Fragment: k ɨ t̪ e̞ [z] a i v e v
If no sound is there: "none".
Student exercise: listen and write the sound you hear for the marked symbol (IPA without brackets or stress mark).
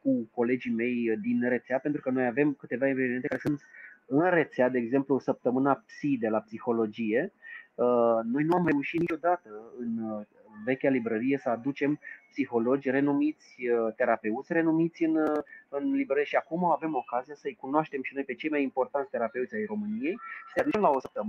v